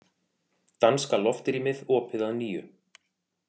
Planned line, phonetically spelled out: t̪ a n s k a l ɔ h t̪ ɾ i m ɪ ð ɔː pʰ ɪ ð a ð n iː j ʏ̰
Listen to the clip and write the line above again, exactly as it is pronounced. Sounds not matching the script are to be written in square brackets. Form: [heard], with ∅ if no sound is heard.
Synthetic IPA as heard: t̪ a n s k a l ɔ [f] t̪ ɾ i m ɪ ð ɔː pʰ ɪ ð a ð n iː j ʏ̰